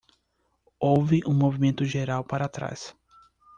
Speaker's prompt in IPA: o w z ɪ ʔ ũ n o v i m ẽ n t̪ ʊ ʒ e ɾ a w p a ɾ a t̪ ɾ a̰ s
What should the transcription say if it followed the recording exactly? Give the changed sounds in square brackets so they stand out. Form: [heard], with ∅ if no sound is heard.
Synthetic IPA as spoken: o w [v] ɪ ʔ ũ [m] o v i m ẽ n t̪ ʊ ʒ e ɾ a w p a ɾ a t̪ ɾ a̰ s